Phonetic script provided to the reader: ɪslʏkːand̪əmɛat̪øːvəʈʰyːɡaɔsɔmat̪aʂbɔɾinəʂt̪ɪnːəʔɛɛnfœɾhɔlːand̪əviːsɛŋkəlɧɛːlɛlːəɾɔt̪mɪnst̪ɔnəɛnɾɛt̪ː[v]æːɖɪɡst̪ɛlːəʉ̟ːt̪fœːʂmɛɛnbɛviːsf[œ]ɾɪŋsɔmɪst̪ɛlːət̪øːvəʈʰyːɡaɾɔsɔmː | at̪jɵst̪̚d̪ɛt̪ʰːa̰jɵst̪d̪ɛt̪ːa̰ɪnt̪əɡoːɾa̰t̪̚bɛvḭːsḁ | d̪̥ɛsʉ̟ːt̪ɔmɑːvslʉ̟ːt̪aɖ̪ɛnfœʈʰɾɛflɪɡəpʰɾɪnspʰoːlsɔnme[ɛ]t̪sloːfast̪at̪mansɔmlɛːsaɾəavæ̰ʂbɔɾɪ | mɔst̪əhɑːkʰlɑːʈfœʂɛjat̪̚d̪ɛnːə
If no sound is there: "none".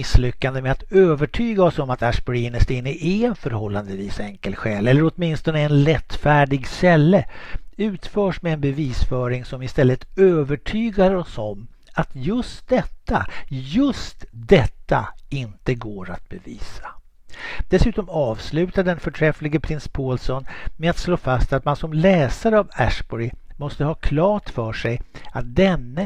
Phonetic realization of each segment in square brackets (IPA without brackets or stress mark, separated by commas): f, œː, a